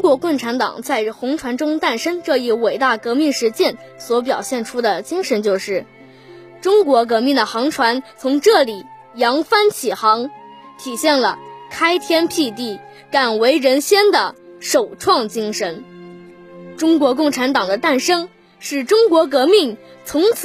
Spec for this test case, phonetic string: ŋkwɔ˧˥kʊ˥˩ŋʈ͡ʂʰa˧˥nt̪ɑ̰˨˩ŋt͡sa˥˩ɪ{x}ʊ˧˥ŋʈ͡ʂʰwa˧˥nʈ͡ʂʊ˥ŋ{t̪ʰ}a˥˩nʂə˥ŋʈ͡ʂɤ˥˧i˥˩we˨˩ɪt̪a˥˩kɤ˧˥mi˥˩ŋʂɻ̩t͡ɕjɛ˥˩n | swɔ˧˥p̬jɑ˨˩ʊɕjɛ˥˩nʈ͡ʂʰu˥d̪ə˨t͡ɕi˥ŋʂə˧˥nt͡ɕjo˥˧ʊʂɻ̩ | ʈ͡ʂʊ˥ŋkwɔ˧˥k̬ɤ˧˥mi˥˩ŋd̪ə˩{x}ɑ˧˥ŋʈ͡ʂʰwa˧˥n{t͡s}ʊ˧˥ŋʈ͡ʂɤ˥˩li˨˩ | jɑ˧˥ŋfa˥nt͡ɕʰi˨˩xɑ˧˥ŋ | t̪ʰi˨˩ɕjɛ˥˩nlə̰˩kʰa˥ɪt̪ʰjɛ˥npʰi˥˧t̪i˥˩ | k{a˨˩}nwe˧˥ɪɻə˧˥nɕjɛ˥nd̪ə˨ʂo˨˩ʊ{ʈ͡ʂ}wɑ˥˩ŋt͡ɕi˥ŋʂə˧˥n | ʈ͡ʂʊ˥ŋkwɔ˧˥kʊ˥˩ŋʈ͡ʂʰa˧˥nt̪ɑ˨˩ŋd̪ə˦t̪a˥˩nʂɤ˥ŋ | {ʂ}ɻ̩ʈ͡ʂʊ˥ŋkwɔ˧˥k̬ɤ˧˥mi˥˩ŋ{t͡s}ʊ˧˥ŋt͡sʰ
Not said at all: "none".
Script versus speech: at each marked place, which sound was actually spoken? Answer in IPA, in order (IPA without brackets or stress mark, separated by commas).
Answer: x, t̪, x, t͡sʰ, a˨˩, ʈ͡ʂʰ, ʂ, t͡sʰ